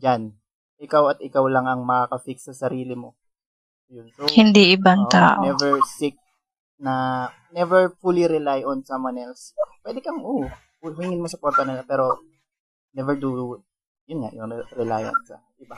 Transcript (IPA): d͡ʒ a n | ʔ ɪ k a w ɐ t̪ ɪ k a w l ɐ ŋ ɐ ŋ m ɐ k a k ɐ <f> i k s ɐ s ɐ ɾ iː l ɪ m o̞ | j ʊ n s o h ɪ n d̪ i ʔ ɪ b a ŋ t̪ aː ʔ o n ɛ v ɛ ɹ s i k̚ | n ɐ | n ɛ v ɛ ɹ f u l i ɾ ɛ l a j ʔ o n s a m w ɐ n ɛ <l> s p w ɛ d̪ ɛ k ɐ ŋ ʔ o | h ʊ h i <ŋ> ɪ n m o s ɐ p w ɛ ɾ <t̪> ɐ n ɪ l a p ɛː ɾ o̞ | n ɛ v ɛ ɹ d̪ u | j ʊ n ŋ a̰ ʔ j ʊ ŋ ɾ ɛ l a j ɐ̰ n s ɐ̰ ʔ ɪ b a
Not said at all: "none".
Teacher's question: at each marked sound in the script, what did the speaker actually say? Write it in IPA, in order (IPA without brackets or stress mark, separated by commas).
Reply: f, l, ŋ, t̪